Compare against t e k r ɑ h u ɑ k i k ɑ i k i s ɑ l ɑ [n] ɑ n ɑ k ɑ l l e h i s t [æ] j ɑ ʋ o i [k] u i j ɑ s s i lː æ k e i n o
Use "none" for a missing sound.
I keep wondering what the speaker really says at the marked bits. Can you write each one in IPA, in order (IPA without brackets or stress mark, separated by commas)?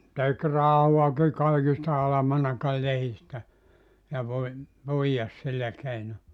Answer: m, æ, p